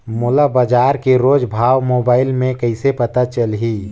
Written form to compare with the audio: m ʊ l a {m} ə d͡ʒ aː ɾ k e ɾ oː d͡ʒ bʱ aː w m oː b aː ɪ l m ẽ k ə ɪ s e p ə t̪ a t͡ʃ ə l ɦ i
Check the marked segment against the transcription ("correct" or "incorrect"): incorrect